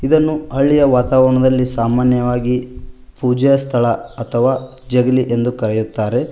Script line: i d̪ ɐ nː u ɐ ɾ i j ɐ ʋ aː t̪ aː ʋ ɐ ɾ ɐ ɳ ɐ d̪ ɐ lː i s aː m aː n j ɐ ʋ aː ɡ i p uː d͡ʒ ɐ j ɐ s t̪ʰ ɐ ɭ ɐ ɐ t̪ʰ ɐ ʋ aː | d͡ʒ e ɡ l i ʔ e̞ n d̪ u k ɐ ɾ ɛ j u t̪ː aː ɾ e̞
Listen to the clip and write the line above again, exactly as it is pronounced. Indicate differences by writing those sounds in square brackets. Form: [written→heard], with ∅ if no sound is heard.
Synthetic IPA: i d̪ ɐ nː u ɐ [ɾ→ɭ] i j ɐ ʋ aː t̪ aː ʋ ɐ ɾ ɐ ɳ ɐ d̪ ɐ lː i s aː m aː n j ɐ ʋ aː ɡ i p uː d͡ʒ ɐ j ɐ s t̪ʰ ɐ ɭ ɐ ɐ t̪ʰ ɐ ʋ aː | d͡ʒ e ɡ l i ʔ e̞ n d̪ u k ɐ ɾ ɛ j u t̪ː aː ɾ e̞